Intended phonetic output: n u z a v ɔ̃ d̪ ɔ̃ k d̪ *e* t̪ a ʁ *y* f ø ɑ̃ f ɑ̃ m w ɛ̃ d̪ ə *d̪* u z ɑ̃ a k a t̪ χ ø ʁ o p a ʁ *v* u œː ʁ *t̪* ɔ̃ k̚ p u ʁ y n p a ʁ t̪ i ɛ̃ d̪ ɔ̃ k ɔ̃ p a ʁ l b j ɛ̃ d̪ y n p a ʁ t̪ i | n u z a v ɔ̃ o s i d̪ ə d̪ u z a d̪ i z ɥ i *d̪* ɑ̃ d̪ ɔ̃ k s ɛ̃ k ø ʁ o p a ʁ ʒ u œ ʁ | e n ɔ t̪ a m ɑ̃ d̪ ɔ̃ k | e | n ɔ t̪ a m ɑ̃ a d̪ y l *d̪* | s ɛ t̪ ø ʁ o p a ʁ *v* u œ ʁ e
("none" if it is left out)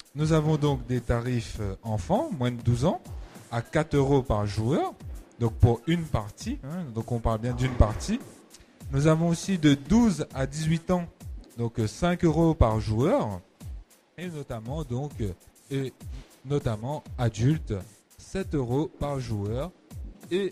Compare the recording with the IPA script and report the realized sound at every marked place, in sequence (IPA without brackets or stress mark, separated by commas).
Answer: e, i, d̪, ʒ, d̪, t̪, t̪, ʒ